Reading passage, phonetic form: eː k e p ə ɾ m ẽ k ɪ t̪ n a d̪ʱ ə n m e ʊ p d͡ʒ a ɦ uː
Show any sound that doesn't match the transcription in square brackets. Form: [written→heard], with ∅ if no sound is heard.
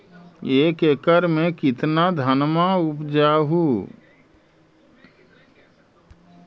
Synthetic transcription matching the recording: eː k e [p→k] ə ɾ m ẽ k ɪ t̪ n a d̪ʱ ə n m [e→a] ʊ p d͡ʒ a ɦ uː

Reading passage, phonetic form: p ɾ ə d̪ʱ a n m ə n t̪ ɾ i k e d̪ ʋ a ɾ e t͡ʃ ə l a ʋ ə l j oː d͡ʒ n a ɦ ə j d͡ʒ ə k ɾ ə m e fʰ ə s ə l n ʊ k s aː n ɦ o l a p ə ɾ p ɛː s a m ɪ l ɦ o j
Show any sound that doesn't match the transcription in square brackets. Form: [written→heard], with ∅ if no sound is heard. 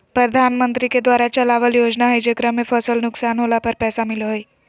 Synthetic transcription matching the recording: p ɾ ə d̪ʱ a n m ə n t̪ ɾ i k e d̪ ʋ a ɾ [e→a] t͡ʃ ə l a ʋ ə l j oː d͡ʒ n a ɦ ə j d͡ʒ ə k ɾ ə m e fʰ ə s ə l n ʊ k s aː n ɦ o l a p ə ɾ p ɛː s a m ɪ l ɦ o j

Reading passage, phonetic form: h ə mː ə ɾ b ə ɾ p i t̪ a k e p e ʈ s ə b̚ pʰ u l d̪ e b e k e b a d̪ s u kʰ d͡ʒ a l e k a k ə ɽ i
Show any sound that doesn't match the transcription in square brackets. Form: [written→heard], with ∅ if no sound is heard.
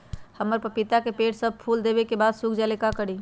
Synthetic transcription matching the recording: h ə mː ə ɾ [b→p] ə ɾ p i t̪ a k e p e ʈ s ə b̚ pʰ u l d̪ e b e k e b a d̪ s u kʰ d͡ʒ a l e k a k ə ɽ i

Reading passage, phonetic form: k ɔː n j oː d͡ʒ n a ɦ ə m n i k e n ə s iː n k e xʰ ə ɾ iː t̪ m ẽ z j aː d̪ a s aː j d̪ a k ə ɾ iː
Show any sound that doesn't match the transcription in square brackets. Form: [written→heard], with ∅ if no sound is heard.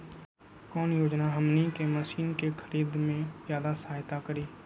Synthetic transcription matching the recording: k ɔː n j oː d͡ʒ n a ɦ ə m n i k e [n→m] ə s iː n k e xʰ ə ɾ iː [t̪→d̪] m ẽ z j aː d̪ a s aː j [d̪→t̪] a k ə ɾ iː

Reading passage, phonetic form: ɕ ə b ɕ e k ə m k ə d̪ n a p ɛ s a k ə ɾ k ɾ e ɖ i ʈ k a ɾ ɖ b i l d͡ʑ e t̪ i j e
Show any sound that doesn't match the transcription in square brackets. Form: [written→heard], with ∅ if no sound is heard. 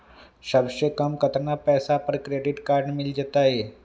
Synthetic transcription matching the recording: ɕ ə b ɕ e k ə m k ə [d̪→t̪] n a p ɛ s a [k→p] ə ɾ k ɾ e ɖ i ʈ k a ɾ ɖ [b→m] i l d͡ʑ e t̪ [i→a] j e

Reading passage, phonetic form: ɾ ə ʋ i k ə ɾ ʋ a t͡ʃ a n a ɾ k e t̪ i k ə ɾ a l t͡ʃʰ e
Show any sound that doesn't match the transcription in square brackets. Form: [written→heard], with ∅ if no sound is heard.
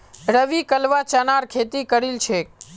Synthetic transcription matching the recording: ɾ ə ʋ i k ə [ɾ→l] ʋ a t͡ʃ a n a ɾ [k→kʰ] e t̪ i k ə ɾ [a→i] l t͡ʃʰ e

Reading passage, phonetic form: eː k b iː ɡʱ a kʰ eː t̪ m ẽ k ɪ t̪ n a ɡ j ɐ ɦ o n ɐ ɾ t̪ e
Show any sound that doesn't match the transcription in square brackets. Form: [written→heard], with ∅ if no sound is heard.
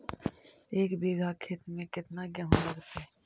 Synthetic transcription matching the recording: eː k b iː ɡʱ a kʰ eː t̪ m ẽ k ɪ t̪ n a ɡ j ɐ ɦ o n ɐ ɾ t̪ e

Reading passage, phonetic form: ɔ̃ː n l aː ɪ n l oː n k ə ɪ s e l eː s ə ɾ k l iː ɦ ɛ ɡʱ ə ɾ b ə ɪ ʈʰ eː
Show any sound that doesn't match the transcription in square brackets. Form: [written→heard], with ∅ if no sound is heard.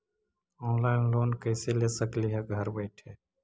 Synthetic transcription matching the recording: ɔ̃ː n l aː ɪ n l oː n k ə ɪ s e l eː s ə [ɾ→∅] k l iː ɦ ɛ ɡʱ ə ɾ b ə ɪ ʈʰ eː

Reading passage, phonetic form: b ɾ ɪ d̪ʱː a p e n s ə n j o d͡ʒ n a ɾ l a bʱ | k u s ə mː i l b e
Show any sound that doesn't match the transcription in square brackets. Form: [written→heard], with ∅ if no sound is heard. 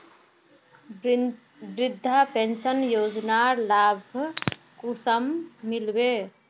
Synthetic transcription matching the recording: b ɾ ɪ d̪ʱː a p e n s ə n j o d͡ʒ n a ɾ l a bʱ | k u s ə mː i l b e

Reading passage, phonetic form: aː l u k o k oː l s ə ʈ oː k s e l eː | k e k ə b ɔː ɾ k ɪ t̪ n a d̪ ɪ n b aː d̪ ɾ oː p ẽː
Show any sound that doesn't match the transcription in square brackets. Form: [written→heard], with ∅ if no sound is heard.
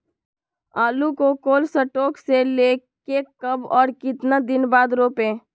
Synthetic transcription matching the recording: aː l u k o k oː l s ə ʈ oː k s e l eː | k e k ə b ɔː ɾ k ɪ t̪ n a d̪ ɪ n b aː d̪ ɾ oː p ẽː

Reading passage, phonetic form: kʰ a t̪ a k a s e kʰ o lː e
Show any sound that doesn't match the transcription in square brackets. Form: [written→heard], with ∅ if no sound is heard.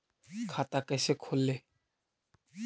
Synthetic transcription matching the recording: kʰ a t̪ a k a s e kʰ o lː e

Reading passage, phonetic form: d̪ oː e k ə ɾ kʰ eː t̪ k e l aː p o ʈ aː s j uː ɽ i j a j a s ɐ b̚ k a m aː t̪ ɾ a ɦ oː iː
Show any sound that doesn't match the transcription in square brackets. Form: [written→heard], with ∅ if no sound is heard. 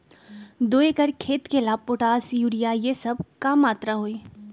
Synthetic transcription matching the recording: d̪ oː e k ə ɾ kʰ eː t̪ k e l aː p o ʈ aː s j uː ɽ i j a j [a→e] s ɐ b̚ k a m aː t̪ ɾ a ɦ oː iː

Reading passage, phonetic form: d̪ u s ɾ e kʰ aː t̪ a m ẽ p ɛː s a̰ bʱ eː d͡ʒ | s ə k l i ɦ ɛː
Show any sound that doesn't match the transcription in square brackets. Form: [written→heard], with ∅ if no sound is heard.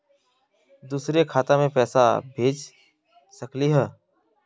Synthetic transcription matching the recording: d̪ [u→uː] s ɾ e kʰ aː t̪ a m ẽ p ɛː s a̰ bʱ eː d͡ʒ | s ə k l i ɦ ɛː

